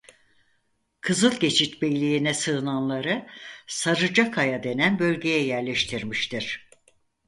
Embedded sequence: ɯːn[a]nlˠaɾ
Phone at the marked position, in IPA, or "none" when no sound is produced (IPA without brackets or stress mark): a